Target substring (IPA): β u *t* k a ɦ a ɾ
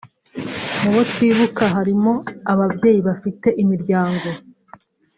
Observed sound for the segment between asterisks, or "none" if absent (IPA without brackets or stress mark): none